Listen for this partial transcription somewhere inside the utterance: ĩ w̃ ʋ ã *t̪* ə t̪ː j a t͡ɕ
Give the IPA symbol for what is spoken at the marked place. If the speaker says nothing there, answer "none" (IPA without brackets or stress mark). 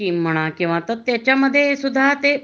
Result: t̪